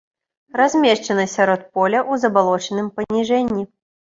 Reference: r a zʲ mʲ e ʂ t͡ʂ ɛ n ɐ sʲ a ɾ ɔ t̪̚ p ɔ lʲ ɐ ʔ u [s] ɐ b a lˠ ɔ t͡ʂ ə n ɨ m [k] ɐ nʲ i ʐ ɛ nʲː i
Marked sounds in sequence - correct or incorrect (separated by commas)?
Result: incorrect, incorrect